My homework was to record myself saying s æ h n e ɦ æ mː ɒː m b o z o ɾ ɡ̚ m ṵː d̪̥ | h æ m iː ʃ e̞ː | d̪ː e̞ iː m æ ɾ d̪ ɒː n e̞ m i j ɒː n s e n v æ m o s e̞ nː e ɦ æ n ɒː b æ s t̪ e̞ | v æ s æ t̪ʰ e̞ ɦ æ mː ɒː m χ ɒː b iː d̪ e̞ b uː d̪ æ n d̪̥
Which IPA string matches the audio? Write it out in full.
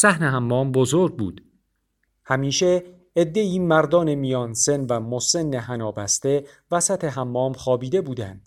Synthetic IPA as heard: s æ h n e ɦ æ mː ɒː m b o z o ɾ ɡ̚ b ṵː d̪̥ | h æ m iː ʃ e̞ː | d̪ː e̞ iː m æ ɾ d̪ ɒː n e̞ m i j ɒː n s e n v æ m o s e̞ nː e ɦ æ n ɒː b æ s t̪ e̞ | v æ s æ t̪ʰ e̞ ɦ æ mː ɒː m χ ɒː b iː d̪ e̞ b uː d̪ æ n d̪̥